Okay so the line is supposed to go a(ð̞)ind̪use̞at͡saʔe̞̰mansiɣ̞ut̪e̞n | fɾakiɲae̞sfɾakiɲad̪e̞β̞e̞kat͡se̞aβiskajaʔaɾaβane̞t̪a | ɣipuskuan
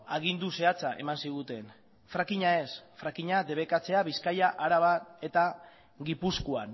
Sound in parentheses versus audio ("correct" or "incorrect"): incorrect